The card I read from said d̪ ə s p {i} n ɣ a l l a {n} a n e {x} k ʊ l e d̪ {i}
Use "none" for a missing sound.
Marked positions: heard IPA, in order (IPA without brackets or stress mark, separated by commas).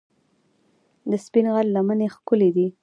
i, m, x, i